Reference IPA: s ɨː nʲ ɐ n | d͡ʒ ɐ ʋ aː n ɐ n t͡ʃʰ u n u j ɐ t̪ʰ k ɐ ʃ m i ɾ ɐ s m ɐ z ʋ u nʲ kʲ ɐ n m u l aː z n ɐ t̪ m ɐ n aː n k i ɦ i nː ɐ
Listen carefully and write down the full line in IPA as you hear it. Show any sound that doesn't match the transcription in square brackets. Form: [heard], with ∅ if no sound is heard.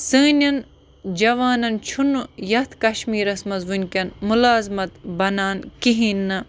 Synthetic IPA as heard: s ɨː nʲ ɐ n | d͡ʒ ɐ ʋ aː n ɐ n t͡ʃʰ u n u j ɐ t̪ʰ k ɐ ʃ m [iː] ɾ ɐ s m ɐ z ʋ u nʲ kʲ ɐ n m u l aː z [m] ɐ t̪ [b] ɐ n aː n k i ɦ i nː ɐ